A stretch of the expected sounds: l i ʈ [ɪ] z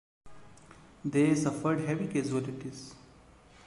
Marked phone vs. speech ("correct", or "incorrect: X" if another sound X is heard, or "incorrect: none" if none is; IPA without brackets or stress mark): incorrect: i